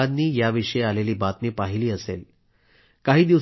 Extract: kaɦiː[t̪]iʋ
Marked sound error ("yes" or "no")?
yes